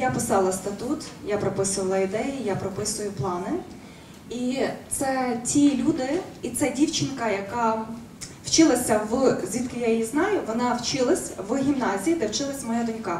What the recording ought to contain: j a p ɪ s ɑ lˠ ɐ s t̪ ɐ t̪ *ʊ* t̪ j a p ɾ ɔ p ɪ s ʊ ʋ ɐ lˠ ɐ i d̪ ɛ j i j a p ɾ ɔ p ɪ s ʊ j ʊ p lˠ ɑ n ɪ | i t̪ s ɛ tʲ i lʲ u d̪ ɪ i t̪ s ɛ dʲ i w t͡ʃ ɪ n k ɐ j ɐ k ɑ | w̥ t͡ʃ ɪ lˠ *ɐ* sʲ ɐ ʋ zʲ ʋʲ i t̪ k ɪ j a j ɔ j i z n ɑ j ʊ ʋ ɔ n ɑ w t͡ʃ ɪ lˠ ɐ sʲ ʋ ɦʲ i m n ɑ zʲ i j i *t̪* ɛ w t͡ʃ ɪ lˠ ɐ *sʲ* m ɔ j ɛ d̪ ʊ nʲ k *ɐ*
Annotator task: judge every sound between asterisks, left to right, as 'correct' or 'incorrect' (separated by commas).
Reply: incorrect, correct, incorrect, correct, incorrect